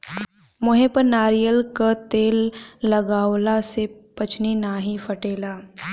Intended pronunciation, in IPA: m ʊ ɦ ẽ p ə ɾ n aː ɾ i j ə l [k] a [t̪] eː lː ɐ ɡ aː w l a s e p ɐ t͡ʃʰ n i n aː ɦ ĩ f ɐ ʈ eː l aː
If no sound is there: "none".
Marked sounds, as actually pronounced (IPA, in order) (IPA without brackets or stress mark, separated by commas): k, t̪